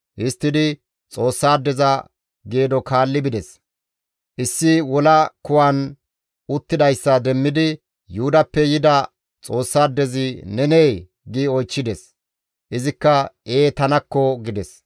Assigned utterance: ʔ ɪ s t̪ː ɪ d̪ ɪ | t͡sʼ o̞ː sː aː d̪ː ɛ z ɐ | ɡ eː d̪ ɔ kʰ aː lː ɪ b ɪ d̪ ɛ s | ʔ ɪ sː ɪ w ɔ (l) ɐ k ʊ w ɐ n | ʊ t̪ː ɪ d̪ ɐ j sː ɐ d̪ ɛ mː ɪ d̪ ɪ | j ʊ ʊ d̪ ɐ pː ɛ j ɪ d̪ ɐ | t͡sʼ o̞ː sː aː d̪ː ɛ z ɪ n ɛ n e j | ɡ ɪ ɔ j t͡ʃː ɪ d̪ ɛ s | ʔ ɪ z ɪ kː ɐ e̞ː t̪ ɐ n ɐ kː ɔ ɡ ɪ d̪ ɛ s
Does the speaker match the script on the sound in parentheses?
yes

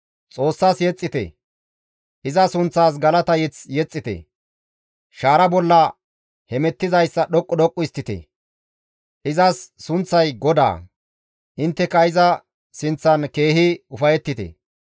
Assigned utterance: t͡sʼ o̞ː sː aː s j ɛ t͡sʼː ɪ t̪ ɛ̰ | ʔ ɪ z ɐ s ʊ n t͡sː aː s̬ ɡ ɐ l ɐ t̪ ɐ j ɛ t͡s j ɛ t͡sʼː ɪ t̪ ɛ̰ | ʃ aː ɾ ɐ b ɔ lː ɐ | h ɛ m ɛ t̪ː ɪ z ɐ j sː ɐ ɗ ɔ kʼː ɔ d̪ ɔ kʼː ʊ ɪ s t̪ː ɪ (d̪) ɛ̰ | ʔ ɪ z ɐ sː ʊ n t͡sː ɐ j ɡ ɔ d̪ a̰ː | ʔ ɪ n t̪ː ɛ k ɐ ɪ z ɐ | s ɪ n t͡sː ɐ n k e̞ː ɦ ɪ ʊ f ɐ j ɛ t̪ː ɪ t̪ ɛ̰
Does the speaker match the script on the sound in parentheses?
no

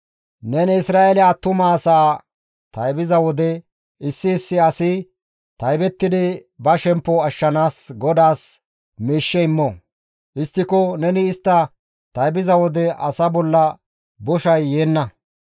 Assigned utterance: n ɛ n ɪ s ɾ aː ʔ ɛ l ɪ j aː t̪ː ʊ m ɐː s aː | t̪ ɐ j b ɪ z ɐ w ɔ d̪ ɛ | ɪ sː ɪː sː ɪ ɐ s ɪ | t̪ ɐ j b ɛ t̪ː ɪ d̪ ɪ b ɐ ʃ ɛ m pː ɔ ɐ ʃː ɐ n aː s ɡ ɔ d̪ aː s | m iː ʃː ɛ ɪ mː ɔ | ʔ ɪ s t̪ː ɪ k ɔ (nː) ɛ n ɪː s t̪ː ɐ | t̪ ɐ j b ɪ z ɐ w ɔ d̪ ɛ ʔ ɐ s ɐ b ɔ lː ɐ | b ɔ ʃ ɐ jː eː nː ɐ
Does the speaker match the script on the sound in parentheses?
no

